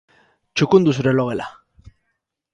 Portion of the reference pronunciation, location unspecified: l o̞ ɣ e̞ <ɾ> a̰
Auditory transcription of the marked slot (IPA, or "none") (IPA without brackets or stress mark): l